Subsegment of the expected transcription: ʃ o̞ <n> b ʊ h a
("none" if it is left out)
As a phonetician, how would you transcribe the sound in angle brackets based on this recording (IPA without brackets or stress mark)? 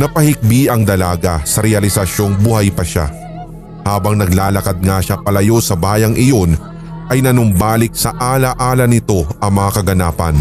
ŋ